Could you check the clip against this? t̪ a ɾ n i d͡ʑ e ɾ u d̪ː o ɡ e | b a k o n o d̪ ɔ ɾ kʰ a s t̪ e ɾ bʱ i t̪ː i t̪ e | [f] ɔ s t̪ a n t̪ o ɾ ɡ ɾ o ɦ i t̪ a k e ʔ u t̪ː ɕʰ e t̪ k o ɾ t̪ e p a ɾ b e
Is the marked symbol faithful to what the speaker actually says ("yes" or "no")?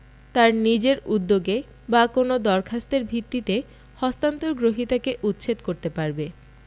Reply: no